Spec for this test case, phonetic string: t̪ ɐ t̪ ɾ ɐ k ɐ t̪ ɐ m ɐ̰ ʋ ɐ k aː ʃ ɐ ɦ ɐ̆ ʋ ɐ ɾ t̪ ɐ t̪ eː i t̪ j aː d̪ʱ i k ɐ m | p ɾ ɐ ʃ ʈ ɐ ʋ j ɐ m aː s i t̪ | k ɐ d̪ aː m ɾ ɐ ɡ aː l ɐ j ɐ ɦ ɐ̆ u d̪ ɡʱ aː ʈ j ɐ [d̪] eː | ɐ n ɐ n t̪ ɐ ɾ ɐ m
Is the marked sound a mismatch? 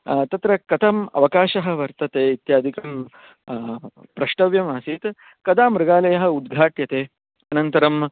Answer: yes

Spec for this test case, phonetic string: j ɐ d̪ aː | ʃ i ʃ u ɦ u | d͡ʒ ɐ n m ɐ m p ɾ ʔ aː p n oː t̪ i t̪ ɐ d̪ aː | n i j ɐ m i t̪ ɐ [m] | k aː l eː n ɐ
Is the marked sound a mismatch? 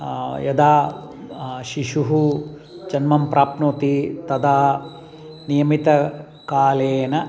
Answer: yes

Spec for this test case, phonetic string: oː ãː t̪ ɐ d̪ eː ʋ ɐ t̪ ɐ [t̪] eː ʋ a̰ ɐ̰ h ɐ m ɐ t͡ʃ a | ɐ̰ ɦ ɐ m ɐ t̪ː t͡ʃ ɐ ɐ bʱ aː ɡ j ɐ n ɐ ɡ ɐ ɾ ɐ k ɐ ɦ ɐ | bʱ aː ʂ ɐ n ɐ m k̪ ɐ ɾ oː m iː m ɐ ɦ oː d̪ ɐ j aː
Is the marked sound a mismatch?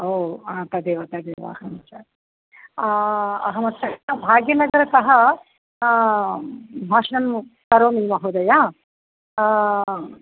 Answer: yes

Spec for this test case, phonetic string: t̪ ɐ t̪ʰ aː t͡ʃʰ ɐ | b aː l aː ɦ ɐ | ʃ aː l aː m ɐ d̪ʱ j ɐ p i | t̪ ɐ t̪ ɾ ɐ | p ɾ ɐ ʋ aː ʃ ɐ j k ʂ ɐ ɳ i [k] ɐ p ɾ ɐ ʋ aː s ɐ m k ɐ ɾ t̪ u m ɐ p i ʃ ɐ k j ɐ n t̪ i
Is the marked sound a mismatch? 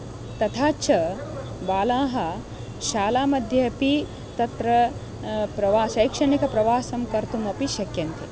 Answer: no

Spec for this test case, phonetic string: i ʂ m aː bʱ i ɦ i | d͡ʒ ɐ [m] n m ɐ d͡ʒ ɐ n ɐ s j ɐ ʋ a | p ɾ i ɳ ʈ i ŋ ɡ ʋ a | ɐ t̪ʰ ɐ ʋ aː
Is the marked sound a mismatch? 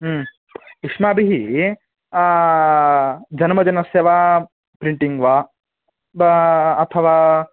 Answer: yes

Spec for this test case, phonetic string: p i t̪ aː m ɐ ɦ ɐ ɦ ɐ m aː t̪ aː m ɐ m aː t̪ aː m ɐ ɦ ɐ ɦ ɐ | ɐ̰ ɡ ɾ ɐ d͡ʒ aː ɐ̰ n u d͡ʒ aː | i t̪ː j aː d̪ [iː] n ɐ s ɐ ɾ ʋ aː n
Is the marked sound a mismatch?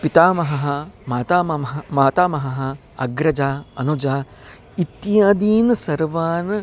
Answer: no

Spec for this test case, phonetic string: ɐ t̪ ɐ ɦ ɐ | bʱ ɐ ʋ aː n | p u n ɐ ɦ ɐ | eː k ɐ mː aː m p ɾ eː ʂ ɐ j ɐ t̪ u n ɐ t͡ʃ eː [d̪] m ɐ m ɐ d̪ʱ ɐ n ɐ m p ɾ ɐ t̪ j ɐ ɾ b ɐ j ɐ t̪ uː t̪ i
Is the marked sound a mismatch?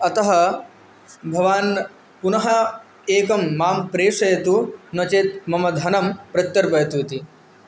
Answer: yes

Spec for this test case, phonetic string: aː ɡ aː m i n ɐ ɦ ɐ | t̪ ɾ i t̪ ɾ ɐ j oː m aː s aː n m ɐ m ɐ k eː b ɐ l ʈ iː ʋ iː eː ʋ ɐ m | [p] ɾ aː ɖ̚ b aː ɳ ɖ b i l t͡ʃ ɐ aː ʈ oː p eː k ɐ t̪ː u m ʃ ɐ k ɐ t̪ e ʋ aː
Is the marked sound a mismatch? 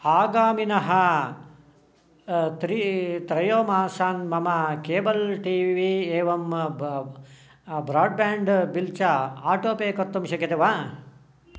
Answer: yes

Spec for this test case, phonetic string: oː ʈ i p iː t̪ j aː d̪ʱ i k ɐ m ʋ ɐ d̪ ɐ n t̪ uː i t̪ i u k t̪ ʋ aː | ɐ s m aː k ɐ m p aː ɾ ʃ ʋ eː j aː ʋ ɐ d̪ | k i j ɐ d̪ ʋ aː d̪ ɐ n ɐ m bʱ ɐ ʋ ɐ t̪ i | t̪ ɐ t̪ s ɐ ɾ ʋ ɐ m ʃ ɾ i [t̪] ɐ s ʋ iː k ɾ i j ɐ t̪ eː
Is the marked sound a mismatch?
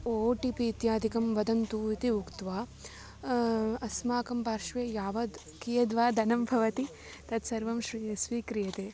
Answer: yes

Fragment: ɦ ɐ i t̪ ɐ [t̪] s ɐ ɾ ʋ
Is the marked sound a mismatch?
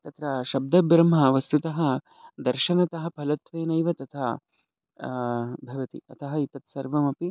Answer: no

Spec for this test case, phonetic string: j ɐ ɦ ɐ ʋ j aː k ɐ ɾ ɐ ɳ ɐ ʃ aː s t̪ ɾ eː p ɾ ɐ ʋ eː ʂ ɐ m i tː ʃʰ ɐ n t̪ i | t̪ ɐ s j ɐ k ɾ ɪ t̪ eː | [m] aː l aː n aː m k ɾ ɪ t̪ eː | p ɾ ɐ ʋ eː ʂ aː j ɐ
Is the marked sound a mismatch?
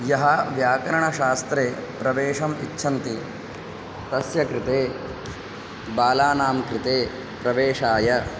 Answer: yes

